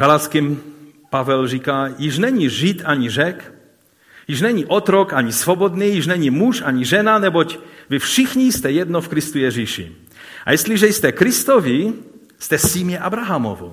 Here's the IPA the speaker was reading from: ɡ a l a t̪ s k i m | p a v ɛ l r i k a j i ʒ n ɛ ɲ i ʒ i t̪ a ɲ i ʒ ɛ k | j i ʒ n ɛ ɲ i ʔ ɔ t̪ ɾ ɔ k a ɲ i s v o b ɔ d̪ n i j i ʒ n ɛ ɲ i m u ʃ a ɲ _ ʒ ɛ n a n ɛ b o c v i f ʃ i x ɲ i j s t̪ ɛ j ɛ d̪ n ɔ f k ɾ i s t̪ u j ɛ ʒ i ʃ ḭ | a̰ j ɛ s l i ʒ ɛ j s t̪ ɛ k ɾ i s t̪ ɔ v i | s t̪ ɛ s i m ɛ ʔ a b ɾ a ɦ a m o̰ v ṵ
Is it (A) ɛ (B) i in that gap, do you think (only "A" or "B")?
B